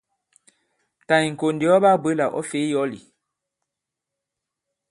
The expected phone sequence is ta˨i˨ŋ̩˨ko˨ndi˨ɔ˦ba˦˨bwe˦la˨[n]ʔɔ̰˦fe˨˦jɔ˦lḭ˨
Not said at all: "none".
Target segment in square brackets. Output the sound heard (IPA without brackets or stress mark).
none